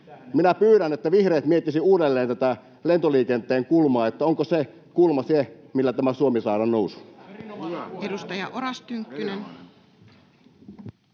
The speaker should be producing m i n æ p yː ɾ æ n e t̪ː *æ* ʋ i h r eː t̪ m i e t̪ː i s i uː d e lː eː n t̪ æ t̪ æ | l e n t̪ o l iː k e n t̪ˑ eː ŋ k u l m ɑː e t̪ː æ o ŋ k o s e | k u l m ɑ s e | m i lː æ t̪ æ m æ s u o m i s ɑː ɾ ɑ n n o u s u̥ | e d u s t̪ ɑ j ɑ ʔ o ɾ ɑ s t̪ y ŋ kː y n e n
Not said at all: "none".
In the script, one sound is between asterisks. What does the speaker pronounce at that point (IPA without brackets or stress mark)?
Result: æ